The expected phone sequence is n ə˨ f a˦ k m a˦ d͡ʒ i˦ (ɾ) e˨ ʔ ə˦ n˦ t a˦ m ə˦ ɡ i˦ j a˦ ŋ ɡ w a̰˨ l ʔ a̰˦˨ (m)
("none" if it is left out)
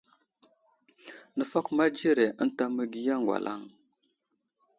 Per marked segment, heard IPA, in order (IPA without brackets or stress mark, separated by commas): ɾ, ŋ